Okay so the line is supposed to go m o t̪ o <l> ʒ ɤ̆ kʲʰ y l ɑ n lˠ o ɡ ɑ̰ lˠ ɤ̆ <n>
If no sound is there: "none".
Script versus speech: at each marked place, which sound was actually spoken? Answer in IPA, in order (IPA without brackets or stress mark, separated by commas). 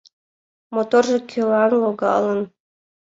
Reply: r, n